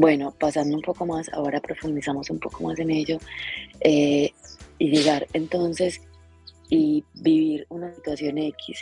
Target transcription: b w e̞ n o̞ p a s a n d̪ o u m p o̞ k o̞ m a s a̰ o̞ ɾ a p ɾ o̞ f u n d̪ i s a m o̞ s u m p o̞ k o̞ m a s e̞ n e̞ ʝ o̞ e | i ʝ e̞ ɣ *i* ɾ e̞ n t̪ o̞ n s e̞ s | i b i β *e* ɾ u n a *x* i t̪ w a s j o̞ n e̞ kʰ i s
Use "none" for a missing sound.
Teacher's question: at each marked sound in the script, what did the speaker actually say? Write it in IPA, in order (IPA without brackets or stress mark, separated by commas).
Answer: a, i, s